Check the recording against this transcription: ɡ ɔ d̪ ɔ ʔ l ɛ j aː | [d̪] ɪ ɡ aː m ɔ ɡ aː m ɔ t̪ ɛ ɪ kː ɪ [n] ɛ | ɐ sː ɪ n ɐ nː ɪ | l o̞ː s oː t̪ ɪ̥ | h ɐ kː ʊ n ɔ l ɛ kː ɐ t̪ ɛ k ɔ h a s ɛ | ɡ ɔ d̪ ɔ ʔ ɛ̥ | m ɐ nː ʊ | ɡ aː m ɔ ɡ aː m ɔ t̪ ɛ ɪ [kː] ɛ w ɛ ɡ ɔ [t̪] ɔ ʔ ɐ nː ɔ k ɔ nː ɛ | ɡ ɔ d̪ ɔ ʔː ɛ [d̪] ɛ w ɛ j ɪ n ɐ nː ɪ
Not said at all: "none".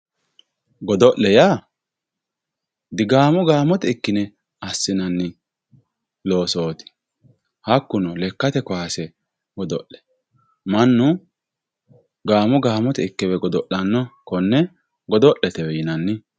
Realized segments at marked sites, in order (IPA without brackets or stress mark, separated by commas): d̪, n, kː, d̪, t̪